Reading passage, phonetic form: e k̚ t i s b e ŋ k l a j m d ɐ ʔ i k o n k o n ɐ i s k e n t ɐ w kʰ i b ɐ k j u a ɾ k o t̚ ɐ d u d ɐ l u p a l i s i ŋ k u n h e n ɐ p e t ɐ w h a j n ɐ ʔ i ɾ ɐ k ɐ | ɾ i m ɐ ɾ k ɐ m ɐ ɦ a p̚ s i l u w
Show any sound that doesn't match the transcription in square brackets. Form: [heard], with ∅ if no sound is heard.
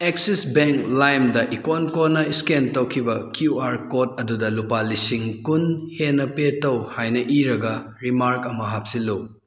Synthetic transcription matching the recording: e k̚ [s] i s b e ŋ k l a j m d ɐ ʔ i k o n k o n ɐ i s k e n t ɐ w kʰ i b ɐ k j u a ɾ k o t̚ ɐ d u d ɐ l u p a l i s i ŋ k u n h e n ɐ p e t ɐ w h a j n ɐ ʔ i ɾ ɐ [ɡ] ɐ | ɾ i m [a] ɾ k ɐ m ɐ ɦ a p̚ s i l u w